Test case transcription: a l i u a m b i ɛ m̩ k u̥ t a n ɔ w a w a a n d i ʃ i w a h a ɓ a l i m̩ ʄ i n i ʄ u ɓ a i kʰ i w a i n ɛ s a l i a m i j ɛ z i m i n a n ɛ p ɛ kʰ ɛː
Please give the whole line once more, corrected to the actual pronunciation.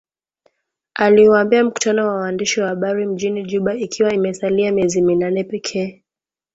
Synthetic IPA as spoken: a l i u a m b i a m̩ k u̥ t a n ɔ w a w a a n d i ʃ i w a h a ɓ a ɾ i m̩ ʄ i n i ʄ u ɓ a i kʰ i w a i m ɛ s a l i a m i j ɛ z i m i n a n ɛ p ɛ kʰ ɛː